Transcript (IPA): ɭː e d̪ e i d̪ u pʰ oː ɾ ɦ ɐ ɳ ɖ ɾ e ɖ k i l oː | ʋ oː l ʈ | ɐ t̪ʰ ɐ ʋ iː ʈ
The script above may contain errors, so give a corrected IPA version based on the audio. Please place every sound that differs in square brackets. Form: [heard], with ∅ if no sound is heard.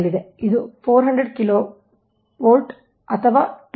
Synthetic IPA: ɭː [i] d̪ e i d̪ u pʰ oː ɾ ɦ ɐ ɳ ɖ ɾ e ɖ k i l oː | ʋ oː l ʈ | ɐ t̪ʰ ɐ ʋ [aː] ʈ